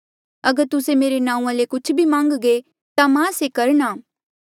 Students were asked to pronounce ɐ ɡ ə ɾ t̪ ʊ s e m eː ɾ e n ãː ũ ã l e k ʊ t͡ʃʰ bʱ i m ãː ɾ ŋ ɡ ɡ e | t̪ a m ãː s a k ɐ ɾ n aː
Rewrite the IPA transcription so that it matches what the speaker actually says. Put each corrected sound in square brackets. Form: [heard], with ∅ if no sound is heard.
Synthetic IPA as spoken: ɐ ɡ ə ɾ t̪ ʊ s e m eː ɾ e n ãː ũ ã l e k ʊ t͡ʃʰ bʱ i m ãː [∅] ŋ ɡ ɡ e | t̪ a m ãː s [e] k ɐ ɾ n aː